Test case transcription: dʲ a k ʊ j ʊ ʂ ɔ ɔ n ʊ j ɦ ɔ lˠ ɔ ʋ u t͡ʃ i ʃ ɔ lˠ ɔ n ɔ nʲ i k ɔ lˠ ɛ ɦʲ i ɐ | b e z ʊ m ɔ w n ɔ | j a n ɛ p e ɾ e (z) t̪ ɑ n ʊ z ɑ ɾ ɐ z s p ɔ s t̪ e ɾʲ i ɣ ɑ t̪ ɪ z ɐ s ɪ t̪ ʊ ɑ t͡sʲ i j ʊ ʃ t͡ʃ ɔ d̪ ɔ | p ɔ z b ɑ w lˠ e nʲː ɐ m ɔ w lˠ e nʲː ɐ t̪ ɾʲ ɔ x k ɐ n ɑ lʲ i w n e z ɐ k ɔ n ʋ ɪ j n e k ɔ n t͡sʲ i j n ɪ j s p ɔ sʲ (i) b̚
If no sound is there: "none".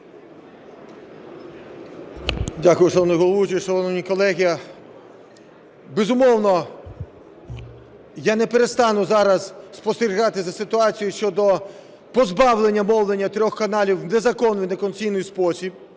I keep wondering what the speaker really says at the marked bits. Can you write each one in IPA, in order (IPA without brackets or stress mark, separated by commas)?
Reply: s, i